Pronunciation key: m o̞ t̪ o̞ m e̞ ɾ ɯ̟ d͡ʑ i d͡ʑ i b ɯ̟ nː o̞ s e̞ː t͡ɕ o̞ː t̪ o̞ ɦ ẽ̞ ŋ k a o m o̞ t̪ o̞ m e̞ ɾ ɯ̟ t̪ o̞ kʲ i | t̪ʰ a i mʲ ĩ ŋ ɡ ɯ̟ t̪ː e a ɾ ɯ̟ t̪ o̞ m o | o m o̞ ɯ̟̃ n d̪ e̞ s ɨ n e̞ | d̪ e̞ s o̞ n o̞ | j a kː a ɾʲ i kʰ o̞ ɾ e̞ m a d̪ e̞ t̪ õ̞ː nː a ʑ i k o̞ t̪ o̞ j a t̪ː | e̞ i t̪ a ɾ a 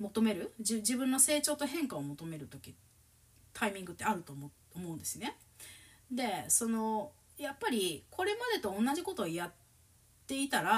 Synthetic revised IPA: m o̞ t̪ o̞ m e̞ ɾ ɯ̟ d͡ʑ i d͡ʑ i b ɯ̟̃ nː o̞ s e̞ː t͡ɕ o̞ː t̪ o̞ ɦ ẽ̞ ŋ k a o m o̞ t̪ o̞ m e̞ ɾ ɯ̟ t̪ o̞ kʲ i | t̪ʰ a i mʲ ĩ ŋ ɡ ɯ̟ t̪ː e a ɾ ɯ̟ t̪ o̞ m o | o m o̞ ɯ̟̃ n d̪ e̞ s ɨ n e̞ | d̪ e̞ s o̞ n o̞ | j a pː a ɾʲ i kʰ o̞ ɾ e̞ m a d̪ e̞ t̪ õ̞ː nː a ʑ i k o̞ t̪ o̞ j a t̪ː | e̞ i t̪ a ɾ a